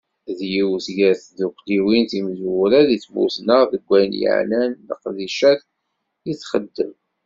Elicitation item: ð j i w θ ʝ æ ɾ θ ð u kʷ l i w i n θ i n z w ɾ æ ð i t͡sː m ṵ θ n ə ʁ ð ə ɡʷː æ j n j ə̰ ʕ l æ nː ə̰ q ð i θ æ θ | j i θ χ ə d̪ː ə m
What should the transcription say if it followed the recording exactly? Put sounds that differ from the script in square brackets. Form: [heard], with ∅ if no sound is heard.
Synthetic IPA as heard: ð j i w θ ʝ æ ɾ θ ð u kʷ l i w i n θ i [m] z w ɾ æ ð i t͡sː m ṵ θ n ə ʁ ð ə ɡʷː æ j n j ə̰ ʕ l æ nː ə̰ q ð i [ʃ] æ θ | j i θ χ ə d̪ː ə m